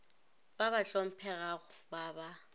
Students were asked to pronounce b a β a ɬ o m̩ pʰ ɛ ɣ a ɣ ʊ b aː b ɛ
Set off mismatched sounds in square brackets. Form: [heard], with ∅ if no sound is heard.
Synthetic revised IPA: b a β a ɬ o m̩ pʰ ɛ ɣ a ɣ ʊ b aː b [a]